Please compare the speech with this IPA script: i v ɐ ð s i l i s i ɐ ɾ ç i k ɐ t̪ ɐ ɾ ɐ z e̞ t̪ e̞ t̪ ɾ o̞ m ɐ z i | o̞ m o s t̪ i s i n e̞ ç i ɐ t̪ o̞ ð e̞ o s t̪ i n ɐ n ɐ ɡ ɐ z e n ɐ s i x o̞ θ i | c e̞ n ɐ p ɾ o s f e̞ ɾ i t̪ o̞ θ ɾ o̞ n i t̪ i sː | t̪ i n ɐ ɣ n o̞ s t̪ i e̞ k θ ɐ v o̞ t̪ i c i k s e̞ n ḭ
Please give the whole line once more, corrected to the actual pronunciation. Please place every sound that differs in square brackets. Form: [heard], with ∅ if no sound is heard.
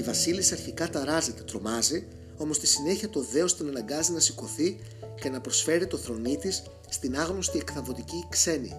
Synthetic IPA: i v ɐ [∅] s i l i s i ɐ ɾ ç i k ɐ t̪ ɐ ɾ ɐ z e̞ t̪ e̞ t̪ ɾ o̞ m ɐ z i | o̞ m o s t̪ i s i n e̞ ç i ɐ t̪ o̞ ð e̞ o s t̪ i n ɐ n ɐ ɡ ɐ z [i] n ɐ s i [k] o̞ θ i | c e̞ n ɐ p ɾ o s f e̞ ɾ i t̪ o̞ θ ɾ o̞ n i t̪ i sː | t̪ i n ɐ ɣ n o̞ s t̪ i e̞ k θ ɐ v o̞ t̪ i c i k s e̞ n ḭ